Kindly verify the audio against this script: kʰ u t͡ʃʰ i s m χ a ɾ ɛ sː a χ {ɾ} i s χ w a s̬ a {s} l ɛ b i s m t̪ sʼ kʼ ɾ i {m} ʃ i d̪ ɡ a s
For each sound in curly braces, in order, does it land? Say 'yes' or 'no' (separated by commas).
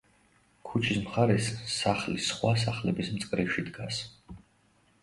no, no, no